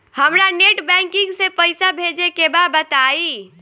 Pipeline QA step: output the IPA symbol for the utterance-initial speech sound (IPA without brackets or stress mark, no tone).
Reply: h